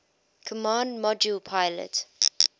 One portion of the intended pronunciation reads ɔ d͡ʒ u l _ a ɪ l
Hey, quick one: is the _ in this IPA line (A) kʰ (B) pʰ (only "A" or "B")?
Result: B